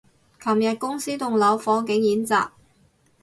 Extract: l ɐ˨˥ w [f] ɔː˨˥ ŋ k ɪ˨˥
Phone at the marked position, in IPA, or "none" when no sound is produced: f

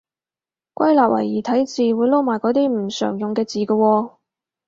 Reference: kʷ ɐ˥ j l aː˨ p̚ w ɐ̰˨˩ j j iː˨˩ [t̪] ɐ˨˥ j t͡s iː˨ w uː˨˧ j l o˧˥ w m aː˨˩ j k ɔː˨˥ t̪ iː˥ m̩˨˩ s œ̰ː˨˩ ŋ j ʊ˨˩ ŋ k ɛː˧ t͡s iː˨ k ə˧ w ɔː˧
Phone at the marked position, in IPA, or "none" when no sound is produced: t̪ʰ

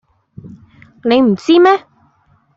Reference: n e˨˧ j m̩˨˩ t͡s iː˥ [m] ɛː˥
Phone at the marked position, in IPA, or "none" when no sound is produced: m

